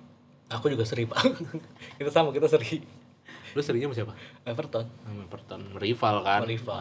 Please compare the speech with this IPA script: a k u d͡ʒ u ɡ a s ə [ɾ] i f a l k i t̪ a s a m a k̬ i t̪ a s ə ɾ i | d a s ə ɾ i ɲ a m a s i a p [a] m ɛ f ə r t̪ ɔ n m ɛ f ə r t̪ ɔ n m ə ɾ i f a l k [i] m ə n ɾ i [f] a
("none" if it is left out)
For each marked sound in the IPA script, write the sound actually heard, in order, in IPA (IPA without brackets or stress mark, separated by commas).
ɾ, a, a, f